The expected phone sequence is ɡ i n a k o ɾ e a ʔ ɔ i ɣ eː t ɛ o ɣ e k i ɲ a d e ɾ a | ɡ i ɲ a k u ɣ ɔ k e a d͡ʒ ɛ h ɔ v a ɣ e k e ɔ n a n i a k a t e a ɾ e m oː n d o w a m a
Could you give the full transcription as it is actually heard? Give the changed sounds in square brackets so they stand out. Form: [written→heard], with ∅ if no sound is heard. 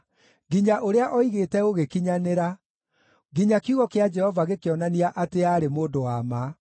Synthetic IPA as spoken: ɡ i [n→ɲ] a [k→ʔ] o ɾ e a ʔ ɔ i ɣ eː t ɛ o ɣ e k i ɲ a [d→n] e ɾ a | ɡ i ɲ a k u ɣ ɔ k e a d͡ʒ ɛ h ɔ v a ɣ e k e ɔ n a n i a [k→ʔ] a t e a ɾ e m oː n d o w a m a

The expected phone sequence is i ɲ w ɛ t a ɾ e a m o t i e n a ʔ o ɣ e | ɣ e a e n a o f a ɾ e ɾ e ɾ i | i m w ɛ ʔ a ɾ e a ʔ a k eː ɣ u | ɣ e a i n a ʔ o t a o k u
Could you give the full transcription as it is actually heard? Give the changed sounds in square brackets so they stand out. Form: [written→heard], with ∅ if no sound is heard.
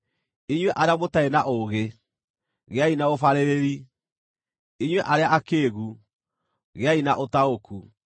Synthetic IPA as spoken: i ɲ w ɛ [t→ʔ] a ɾ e a m o t [i→a] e n a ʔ o ɣ e | ɣ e a [e→i] n a o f a ɾ e ɾ e ɾ i | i [m→ɲ] w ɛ ʔ a ɾ e a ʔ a k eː ɣ u | ɣ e a i n a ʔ o t a o k u

